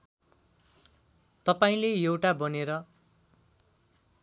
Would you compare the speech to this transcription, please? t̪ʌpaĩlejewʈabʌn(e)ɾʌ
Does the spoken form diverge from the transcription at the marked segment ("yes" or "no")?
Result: no